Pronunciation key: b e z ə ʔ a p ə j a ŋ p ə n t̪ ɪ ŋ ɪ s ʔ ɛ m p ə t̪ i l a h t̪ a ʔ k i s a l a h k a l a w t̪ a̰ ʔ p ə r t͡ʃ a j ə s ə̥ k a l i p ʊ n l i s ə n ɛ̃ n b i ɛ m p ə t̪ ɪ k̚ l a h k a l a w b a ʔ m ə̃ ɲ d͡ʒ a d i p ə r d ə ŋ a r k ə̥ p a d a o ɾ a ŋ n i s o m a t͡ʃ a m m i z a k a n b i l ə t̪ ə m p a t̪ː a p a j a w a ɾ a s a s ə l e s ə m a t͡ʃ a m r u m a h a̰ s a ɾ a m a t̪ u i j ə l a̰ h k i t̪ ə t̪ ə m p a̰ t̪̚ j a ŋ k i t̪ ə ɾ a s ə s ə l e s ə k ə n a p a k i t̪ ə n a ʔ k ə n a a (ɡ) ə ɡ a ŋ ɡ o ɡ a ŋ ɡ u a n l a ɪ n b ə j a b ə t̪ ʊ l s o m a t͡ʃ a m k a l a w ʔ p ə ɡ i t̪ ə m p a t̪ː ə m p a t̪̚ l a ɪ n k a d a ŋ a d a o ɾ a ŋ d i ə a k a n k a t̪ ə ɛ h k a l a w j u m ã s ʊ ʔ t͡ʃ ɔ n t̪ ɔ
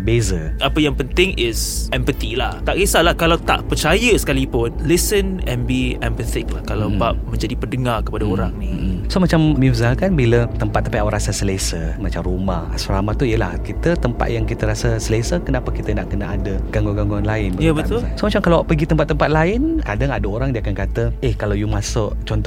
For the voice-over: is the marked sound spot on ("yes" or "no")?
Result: no